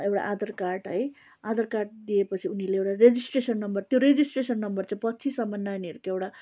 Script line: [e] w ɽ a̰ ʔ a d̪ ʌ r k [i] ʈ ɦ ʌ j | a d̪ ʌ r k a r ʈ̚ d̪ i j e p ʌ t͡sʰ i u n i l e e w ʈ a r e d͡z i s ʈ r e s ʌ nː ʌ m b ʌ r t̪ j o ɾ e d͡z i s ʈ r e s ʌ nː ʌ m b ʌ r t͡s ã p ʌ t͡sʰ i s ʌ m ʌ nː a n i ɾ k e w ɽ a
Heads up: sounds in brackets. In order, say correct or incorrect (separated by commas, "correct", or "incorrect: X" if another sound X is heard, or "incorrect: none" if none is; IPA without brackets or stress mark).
correct, incorrect: a